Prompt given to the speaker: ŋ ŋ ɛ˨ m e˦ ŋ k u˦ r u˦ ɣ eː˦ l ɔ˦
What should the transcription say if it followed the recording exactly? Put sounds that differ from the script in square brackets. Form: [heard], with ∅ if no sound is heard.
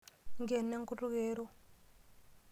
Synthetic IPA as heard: ŋ [ɡ] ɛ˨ [n] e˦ ŋ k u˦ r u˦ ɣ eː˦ [ɾ] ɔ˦